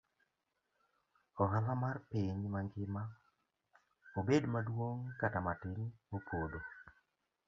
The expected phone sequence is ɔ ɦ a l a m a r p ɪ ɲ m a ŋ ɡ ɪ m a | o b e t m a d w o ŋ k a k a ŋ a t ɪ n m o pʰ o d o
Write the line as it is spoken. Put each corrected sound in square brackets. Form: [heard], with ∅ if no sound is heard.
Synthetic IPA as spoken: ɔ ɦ a l a m a r p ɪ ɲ m a ŋ ɡ ɪ m a | o b e [d] m a d w o ŋ k a [t] a [m] a t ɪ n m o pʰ o d o